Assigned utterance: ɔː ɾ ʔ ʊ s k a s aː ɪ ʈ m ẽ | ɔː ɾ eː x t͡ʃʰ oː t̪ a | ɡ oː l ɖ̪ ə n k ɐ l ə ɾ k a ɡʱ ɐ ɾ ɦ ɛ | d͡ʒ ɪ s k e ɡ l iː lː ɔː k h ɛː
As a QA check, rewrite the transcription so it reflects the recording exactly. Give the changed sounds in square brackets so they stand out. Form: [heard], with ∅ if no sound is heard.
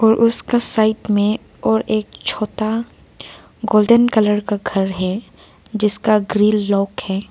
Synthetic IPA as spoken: ɔː ɾ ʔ ʊ s k a s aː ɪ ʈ m ẽ | ɔː ɾ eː [k] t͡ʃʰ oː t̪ a | ɡ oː l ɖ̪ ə n k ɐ l ə ɾ k a ɡʱ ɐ ɾ ɦ ɛ | d͡ʒ ɪ s k [a] ɡ [ɾ] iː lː ɔː k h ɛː